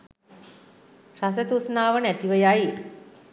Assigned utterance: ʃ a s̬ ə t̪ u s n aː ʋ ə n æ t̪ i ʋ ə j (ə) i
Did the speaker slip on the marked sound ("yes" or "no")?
yes